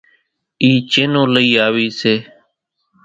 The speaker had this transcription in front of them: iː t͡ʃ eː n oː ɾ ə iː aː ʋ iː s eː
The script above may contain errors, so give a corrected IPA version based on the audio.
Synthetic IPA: iː t͡ʃ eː n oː l ə iː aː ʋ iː s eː

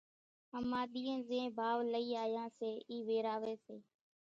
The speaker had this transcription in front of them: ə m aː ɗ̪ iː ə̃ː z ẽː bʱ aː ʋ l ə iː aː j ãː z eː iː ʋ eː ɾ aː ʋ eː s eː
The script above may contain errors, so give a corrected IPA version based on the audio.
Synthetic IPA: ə m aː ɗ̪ iː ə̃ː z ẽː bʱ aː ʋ l ə iː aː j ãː s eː iː ʋ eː ɾ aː ʋ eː s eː

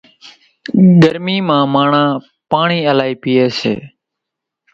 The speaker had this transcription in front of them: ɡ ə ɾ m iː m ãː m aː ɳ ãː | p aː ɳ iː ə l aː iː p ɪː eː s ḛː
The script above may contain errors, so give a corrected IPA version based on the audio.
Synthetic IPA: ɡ ə ɾ m iː m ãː m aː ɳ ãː | p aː ɳ iː ə l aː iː p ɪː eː s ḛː

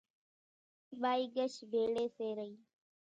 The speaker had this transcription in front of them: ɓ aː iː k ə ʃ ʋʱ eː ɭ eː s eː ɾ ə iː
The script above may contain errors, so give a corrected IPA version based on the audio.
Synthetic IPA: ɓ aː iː ɡ ə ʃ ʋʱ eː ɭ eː s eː ɾ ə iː

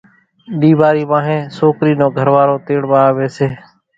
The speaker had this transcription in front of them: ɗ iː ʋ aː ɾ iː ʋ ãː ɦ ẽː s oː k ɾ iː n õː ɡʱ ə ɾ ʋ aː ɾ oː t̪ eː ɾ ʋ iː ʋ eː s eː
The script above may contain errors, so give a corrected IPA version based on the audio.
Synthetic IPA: ɗ iː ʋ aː ɾ iː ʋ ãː ɦ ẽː s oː k ɾ iː n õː ɡʱ ə ɾ ʋ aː ɾ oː t̪ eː ɽ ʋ aː ʋ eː s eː

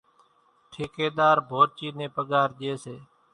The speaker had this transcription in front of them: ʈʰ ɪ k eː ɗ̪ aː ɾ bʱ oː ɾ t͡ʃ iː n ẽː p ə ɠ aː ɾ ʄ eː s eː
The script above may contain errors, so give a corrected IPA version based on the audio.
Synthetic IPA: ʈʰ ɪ k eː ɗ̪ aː ɾ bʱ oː ɾ t͡ʃ iː n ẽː p ə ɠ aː ɾ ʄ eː s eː

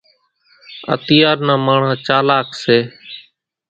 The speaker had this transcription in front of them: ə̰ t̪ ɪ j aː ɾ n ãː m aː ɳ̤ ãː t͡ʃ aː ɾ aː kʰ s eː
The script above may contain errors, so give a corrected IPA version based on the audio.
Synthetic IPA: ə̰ t̪ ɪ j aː ɾ n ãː m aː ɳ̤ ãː t͡ʃ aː l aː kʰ s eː

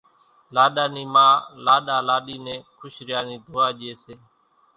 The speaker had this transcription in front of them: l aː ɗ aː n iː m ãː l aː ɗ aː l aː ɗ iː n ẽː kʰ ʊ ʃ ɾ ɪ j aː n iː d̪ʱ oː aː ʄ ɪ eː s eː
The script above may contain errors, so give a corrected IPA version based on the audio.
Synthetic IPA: l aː ɗ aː n iː m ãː l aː ɗ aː l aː ɗ iː n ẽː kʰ ʊ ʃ ɾ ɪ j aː n iː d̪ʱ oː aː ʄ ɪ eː s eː

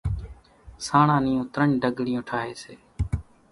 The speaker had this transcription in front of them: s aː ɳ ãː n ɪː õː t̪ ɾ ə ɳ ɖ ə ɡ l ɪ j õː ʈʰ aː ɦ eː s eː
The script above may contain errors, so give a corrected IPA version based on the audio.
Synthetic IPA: s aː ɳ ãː n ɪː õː t̪ ɾ ə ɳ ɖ ə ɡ ɽ ɪ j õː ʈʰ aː ɦ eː s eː

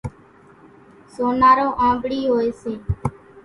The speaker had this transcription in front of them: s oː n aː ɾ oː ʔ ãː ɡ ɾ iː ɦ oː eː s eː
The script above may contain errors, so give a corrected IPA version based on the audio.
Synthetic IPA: s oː n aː ɾ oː ʔ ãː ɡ ɽ iː ɦ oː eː s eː

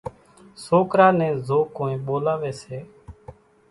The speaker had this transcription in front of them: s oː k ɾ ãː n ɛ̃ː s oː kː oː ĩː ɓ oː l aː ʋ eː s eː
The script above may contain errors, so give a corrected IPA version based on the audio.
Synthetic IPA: s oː k ɾ aː n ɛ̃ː z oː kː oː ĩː ɓ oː l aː ʋ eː s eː

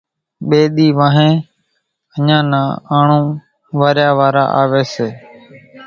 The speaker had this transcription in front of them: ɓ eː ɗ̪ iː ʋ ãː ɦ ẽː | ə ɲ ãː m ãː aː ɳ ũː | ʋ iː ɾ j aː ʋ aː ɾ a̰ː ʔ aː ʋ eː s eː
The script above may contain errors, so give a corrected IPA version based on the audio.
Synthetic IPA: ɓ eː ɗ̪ iː ʋ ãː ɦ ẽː | ə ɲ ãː n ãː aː ɳ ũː | ʋ aː ɾ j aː ʋ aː ɾ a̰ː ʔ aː ʋ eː s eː

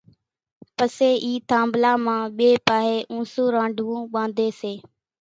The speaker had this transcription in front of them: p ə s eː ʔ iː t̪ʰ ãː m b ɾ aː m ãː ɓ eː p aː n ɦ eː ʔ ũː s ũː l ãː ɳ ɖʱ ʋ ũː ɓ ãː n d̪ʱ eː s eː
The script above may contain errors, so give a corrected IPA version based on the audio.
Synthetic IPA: p ə s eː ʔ iː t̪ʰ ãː m b l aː m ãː ɓ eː p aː ɦ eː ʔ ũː s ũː ɾ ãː ɳ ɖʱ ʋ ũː ɓ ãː n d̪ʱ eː s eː

